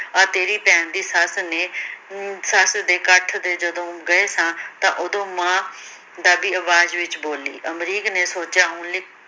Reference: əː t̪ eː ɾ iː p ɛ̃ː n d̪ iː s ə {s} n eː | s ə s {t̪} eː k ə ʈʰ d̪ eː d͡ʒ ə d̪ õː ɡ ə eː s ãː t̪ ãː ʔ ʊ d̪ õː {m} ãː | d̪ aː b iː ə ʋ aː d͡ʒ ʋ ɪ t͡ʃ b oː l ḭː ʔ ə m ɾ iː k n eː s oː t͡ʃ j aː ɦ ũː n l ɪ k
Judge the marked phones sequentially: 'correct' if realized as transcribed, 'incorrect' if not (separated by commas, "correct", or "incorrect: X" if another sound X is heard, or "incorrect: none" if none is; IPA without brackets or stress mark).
correct, incorrect: d̪, correct